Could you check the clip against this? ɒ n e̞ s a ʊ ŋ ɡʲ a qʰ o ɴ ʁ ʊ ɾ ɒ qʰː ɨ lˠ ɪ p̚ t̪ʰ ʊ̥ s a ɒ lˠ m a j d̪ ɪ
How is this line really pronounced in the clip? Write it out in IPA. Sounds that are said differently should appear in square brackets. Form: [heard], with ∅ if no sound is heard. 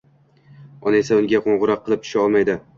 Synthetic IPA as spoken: ɒ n e̞ s a ʊ ŋ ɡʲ a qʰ o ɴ ʁ ʊ ɾ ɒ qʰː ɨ lˠ ɪ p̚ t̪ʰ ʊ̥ [ʃ] a ɒ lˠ m a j d̪ ɪ